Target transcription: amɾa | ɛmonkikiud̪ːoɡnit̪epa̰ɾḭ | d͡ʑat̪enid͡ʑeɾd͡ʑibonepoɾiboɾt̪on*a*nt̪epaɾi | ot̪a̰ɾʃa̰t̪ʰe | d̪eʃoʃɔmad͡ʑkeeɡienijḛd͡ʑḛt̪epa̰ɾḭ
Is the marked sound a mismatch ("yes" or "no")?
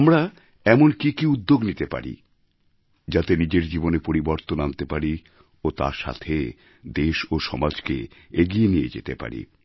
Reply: no